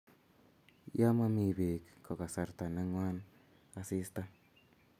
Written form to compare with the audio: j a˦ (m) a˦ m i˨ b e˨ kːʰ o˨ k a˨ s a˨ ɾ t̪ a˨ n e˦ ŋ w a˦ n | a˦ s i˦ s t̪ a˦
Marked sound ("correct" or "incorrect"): correct